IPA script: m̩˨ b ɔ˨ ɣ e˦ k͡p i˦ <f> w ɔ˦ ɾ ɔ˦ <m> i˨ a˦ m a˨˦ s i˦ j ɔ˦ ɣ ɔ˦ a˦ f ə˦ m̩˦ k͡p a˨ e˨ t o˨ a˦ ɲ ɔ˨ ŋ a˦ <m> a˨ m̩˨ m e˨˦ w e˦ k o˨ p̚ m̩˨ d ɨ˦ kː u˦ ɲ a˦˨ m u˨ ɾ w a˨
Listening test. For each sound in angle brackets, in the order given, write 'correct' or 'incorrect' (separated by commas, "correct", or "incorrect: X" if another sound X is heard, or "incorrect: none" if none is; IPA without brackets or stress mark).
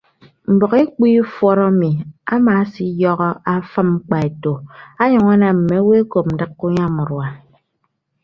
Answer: correct, correct, incorrect: n